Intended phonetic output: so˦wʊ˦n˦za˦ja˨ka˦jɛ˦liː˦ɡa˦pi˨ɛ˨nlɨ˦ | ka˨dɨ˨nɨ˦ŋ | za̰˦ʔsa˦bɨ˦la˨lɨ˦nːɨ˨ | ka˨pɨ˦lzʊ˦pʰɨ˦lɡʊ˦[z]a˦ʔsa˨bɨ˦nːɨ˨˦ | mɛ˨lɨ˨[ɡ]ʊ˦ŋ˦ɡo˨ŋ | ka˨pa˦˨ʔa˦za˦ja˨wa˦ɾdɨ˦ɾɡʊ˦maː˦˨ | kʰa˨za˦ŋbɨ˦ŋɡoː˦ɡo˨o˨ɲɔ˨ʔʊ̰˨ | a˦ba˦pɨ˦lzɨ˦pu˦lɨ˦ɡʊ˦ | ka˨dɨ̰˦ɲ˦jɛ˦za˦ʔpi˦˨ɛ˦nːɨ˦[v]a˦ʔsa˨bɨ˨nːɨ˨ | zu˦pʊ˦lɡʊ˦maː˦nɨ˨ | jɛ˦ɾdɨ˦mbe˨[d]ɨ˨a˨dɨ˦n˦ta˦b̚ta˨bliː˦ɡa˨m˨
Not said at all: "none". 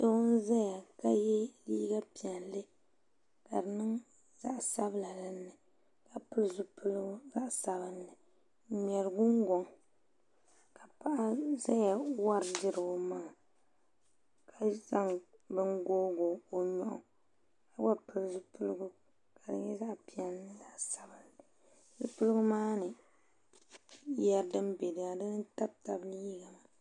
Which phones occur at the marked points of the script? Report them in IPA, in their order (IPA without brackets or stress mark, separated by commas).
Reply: z, ɡ, z, d